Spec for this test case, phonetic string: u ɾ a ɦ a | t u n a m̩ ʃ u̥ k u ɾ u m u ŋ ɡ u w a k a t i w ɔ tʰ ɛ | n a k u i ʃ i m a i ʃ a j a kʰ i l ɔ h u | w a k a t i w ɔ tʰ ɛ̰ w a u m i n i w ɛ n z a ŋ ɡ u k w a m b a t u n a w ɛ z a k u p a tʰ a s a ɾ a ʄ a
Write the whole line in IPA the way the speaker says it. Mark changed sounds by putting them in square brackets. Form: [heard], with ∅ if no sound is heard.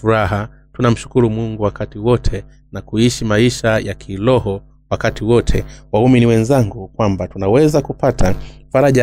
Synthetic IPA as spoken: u ɾ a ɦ a | t u n a m̩ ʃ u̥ k u ɾ u m u ŋ ɡ u w a k a t i w ɔ tʰ ɛ | n a k u i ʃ i m a i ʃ a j a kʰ i l ɔ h [ɔ] | w a k a t i w ɔ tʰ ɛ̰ w a u m i n i w ɛ n z a ŋ ɡ u k w a m b a t u n a w ɛ z a k u p a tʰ a [f] a ɾ a ʄ a